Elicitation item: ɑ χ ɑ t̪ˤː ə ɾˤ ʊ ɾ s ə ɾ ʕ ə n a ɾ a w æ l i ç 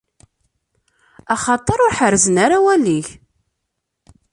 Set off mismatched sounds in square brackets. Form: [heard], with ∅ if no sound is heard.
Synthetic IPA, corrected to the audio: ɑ χ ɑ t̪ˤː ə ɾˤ ʊ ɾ [ħ] ə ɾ [z] ə n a ɾ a w æ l i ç